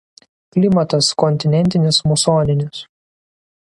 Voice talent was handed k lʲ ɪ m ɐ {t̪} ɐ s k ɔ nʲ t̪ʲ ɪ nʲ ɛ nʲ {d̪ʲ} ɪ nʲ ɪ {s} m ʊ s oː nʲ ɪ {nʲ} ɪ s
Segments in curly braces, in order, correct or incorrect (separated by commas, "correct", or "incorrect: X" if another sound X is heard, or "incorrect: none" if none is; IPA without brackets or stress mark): correct, incorrect: t̪ʲ, correct, correct